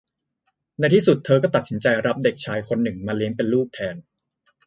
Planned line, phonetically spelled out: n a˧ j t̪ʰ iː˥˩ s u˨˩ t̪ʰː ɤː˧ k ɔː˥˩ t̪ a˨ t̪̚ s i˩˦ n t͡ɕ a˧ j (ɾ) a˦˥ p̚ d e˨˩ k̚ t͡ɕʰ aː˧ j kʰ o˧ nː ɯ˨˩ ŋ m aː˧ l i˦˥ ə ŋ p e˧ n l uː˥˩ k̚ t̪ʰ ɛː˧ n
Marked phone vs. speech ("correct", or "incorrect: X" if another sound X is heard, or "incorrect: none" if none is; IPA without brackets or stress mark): correct